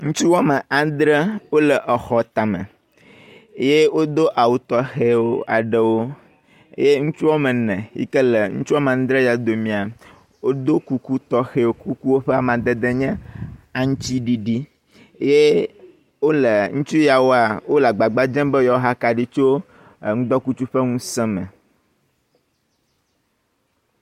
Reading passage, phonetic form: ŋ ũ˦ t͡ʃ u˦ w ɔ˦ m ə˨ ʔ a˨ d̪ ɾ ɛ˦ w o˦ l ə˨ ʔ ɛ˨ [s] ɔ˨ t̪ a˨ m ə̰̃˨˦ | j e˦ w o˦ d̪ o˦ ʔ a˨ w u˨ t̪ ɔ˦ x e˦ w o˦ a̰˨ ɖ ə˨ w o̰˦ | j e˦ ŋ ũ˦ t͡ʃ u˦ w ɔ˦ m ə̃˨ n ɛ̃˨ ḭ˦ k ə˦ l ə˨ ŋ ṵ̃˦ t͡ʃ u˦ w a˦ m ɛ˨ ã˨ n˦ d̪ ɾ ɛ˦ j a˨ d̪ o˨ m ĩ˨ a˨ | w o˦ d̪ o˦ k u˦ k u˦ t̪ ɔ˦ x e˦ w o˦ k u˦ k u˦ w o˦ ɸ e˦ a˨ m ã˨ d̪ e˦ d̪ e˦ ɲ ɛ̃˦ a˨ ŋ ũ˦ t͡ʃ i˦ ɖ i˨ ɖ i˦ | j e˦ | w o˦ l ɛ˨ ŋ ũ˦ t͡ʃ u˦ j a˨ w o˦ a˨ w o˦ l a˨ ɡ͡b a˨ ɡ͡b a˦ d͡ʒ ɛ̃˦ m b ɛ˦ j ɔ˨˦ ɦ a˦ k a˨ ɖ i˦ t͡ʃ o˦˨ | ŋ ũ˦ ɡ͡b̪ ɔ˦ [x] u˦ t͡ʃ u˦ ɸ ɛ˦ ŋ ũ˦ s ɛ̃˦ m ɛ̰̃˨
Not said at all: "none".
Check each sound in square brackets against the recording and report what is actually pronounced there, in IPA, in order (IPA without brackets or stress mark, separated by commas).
x, k